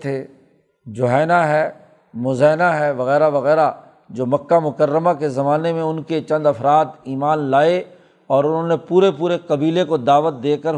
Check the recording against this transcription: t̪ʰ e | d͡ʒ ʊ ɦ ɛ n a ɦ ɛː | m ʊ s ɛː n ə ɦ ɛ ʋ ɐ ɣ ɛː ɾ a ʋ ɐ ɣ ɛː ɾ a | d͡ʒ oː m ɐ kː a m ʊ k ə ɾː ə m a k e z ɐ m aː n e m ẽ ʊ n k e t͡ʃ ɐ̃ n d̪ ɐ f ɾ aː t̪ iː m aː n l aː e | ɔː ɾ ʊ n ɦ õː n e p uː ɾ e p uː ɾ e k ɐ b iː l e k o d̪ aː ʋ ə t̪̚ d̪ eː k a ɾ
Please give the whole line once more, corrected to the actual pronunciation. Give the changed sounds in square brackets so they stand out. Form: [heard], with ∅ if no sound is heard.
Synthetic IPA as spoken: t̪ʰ e | d͡ʒ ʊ ɦ [ɛː] n a ɦ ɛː | m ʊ [z] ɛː n [a] ɦ ɛ ʋ ɐ ɣ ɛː ɾ a ʋ ɐ ɣ ɛː ɾ a | d͡ʒ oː m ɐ kː a m ʊ k ə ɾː ə m a k e z ɐ m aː n e m ẽ ʊ n k e t͡ʃ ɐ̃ n d̪ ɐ f ɾ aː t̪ iː m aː n l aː e | ɔː ɾ ʊ n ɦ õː n e p uː ɾ e p uː ɾ e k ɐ b iː l e k o d̪ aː ʋ ə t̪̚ d̪ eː k [ə] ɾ